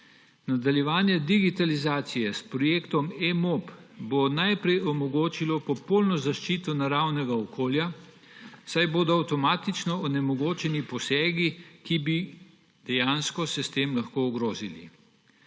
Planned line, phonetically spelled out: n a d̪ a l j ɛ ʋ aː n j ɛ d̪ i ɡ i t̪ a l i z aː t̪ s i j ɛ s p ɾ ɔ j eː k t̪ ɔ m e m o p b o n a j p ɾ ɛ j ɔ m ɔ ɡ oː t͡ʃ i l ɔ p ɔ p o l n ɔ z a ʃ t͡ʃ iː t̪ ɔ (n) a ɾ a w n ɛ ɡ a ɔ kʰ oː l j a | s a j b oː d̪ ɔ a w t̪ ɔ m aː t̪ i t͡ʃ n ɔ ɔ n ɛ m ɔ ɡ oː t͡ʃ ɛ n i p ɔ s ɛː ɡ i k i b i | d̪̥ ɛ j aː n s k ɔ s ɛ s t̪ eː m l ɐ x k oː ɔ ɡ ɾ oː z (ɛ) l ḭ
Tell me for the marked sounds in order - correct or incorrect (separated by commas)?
correct, incorrect